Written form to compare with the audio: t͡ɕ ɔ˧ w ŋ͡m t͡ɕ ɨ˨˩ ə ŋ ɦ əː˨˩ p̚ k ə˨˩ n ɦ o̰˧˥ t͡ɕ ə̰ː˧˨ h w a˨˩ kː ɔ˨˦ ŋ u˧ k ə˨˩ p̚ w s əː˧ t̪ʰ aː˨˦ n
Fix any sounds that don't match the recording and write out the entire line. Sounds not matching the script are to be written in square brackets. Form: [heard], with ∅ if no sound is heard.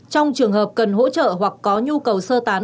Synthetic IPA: t͡ɕ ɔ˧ w ŋ͡m t͡ɕ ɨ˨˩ ə ŋ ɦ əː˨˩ p̚ k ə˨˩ n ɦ o̰˧˥ t͡ɕ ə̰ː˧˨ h w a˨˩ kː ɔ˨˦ [ɲ] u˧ k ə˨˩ [∅] w s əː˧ [t̪] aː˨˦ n